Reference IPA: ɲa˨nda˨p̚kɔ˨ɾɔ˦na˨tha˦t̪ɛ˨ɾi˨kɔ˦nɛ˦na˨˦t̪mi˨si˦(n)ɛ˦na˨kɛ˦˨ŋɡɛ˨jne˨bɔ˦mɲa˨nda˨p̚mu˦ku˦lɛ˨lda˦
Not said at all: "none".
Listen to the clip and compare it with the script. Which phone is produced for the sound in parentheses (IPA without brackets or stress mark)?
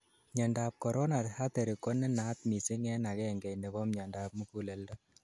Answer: ŋ